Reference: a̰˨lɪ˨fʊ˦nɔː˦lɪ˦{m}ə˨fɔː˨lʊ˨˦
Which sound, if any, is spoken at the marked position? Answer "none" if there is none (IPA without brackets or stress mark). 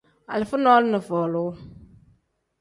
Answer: n